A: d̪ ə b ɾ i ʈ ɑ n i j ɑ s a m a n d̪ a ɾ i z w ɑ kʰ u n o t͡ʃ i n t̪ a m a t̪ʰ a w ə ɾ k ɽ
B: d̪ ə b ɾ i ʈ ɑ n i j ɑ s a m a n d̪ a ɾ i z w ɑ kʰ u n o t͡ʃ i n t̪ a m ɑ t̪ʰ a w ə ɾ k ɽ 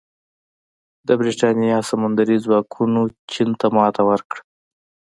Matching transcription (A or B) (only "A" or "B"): B